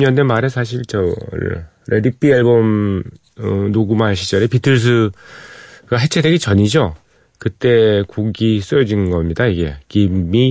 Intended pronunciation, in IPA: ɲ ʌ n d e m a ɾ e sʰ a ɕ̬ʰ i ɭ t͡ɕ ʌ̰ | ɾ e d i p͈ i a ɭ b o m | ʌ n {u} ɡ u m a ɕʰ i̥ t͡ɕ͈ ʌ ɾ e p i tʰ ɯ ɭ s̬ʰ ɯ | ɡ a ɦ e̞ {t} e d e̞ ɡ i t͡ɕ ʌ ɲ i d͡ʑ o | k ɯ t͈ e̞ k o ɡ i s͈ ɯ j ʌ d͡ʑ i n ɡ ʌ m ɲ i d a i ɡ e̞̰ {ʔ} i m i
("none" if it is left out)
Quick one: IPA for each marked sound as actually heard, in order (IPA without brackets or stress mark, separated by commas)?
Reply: o, t͡ɕʰ, k